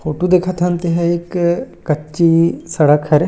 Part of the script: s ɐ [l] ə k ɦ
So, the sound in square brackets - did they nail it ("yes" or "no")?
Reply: no